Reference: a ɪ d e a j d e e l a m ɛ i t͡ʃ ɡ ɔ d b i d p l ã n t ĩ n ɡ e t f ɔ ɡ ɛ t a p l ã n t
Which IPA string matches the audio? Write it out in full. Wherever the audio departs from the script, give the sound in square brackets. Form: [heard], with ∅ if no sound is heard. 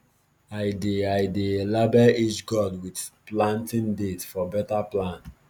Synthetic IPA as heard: a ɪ d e a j d e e l a [b] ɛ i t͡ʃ ɡ ɔ d [w] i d p l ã n t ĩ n [d] e t f ɔ [b] ɛ t a p l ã n t